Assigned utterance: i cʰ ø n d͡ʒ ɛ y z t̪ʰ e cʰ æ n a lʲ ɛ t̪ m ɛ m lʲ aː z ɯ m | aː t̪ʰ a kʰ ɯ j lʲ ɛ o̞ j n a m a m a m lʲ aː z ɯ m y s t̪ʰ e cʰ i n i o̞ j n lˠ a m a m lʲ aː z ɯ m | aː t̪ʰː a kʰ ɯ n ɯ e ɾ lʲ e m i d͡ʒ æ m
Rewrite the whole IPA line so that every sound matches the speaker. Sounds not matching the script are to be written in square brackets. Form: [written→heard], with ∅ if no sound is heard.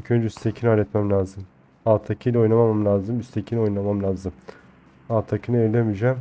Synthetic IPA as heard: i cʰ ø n d͡ʒ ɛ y [z→s] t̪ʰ e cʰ [æ→i] n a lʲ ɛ t̪ m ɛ m lʲ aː z ɯ m | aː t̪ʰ a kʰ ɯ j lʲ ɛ o̞ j n a m a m a m lʲ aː z ɯ m y s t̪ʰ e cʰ i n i o̞ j n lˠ a m a m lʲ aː z ɯ m | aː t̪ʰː a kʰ ɯ n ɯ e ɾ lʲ e m i d͡ʒ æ m

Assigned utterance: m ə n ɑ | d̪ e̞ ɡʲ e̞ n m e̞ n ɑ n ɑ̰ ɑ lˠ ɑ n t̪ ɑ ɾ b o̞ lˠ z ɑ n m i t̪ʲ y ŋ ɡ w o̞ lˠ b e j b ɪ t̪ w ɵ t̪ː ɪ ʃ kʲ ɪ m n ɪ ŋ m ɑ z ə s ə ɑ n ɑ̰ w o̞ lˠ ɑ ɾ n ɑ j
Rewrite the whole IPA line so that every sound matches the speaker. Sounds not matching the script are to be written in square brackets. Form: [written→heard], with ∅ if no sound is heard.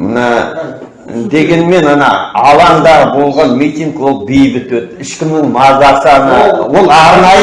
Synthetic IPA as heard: m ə n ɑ | d̪ e̞ ɡʲ e̞ n m e̞ n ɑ n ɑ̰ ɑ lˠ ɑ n [t̪→d̪] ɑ ɾ b o̞ lˠ [z→ʁ] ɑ n m i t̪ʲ [y→i] ŋ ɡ w o̞ lˠ b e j b ɪ t̪ w ɵ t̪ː ɪ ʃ kʲ ɪ m n ɪ ŋ m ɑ z [ə→ɑ] s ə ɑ n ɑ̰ w o̞ lˠ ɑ ɾ n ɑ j

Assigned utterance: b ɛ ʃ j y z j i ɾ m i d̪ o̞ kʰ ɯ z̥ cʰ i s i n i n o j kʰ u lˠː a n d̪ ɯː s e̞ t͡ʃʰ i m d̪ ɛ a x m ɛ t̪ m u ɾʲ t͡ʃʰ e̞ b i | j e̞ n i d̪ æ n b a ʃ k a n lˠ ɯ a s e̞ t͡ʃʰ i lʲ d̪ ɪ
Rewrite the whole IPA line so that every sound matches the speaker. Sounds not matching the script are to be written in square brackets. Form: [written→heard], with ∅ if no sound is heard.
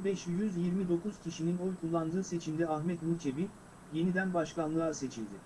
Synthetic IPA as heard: b ɛ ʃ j y z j i ɾ m i d̪ o̞ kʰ [ɯ→u] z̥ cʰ i [s→ʃ] i n i n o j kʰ u lˠː a n d̪ ɯː s e̞ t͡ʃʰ i m d̪ ɛ a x m ɛ t̪ m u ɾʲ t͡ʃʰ e̞ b i | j e̞ n i d̪ æ n b a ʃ k a n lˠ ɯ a s e̞ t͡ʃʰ i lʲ d̪ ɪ

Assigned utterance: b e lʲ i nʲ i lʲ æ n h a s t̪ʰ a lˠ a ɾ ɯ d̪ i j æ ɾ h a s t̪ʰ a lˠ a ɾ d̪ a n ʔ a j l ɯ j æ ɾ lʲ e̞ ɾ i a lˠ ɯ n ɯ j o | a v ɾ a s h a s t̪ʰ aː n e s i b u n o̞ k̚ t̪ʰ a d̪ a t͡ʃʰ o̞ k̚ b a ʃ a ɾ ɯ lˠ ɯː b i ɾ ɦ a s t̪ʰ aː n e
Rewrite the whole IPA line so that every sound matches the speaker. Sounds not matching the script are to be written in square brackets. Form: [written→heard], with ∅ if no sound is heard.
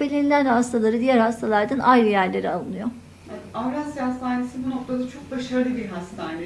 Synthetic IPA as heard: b e lʲ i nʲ i lʲ æ n h a s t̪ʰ a lˠ a ɾ ɯ d̪ i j æ ɾ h a s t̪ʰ a lˠ a ɾ d̪ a n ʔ a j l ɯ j æ ɾ lʲ e̞ ɾ i a lˠ ɯ n ɯ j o | a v ɾ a s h a s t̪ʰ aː n e s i b u n o̞ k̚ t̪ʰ a d̪ a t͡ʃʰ o̞ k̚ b a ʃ a ɾ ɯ lˠ [ɯː→ɯ] b i ɾ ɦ a s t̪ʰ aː n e

